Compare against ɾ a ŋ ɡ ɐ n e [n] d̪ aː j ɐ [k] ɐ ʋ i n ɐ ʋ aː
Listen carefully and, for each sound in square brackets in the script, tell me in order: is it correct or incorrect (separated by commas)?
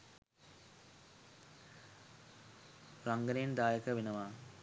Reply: correct, correct